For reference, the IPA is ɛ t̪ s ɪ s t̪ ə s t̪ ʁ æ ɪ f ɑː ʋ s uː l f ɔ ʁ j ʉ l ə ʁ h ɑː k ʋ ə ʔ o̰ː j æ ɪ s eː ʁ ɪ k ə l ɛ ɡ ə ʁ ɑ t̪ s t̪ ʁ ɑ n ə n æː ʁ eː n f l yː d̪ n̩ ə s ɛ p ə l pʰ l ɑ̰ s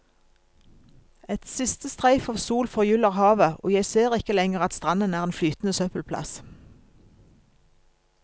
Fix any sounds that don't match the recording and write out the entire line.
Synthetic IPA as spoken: ɛ t̪ s ɪ s t̪ ə s t̪ ʁ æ ɪ f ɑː ʋ s uː l f ɔ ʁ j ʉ l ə ʁ h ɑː ʋ ə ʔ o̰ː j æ ɪ s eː ʁ ɪ k ə l ɛ ŋ ə ʁ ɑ t̪ s t̪ ʁ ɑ n ə n æː ʁ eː n f l yː t̪ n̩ ə s œ p ə l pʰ l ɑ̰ s